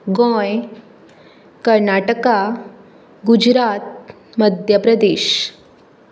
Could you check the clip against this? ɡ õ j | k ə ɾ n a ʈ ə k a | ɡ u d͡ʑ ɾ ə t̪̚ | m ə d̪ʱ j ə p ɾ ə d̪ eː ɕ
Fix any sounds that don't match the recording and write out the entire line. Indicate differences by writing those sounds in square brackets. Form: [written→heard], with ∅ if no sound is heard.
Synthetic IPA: ɡ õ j | k ə ɾ n a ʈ ə k a | ɡ u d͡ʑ ɾ [ə→a] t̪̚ | m ə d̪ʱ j ə p ɾ ə d̪ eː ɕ